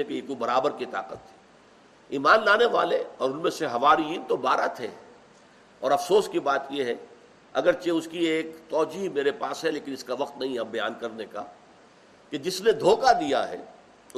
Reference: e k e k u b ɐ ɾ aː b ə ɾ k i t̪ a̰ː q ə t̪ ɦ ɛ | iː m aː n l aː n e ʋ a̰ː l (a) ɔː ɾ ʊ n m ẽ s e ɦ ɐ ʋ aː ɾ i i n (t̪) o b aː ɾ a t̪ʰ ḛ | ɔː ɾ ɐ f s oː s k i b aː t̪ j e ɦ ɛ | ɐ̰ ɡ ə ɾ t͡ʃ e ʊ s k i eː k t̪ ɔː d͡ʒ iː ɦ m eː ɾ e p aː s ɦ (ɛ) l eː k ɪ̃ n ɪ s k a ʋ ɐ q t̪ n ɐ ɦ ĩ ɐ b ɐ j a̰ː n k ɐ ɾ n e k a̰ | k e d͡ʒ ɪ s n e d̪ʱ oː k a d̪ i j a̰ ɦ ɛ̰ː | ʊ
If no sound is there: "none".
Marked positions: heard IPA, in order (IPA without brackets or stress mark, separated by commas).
e, t̪, ɛ